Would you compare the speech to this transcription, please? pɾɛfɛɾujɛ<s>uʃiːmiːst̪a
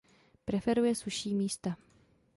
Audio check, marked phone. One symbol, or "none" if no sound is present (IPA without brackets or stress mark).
s